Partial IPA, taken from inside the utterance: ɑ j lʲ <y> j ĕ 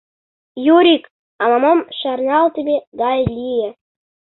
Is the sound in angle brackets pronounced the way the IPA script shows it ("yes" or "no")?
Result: no